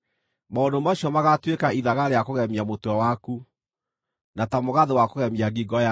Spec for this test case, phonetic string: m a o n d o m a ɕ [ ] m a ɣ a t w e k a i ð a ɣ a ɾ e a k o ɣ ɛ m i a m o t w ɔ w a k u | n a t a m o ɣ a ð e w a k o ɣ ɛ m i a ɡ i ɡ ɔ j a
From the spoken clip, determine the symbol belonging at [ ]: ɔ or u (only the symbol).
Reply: ɔ